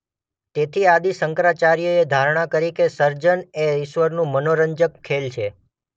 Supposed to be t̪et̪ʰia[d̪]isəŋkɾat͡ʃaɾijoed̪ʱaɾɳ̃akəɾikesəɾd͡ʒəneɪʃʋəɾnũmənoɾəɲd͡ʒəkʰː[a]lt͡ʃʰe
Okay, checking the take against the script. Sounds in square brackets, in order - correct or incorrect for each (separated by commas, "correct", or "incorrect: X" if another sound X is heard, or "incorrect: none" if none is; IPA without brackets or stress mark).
correct, incorrect: e